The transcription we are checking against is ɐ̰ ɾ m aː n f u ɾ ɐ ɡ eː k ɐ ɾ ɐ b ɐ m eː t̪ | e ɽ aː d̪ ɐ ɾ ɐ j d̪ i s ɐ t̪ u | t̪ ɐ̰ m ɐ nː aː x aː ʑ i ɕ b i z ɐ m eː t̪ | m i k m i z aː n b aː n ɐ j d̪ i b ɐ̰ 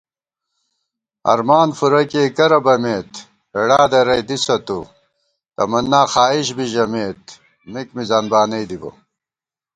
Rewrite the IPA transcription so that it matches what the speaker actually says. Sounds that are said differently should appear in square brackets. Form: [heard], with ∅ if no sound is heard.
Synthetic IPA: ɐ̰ ɾ m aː n f u ɾ ɐ [k] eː k ɐ ɾ ɐ b ɐ m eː t̪ | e ɽ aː d̪ ɐ ɾ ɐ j d̪ i s ɐ t̪ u | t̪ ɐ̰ m ɐ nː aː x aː [∅] i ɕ b i [ʑ] ɐ m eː t̪ | m i k m i z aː n b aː n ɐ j d̪ i b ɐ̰